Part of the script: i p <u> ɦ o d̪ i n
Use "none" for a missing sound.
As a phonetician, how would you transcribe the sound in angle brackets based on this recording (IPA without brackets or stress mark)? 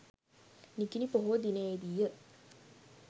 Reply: o